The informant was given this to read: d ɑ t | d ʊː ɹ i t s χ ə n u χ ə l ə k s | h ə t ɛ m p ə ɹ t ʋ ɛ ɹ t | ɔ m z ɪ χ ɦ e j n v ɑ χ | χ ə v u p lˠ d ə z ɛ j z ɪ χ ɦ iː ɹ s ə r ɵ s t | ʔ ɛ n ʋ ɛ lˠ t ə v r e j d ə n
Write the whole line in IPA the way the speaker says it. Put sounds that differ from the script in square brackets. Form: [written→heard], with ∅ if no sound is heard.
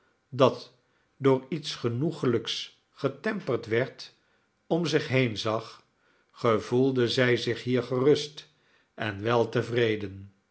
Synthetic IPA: d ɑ t | d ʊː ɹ i t s χ ə n u χ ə l ə k s | [h→χ] ə t ɛ m p ə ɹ t ʋ ɛ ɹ t | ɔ m z ɪ χ ɦ e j n [v→z] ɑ χ | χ ə v u [p→∅] lˠ d ə z ɛ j z ɪ χ ɦ iː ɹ [s→χ] ə r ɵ s t | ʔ ɛ n ʋ ɛ lˠ t ə v r e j d ə n